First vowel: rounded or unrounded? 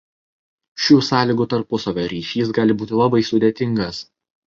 rounded